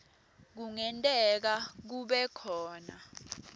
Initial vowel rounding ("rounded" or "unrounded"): rounded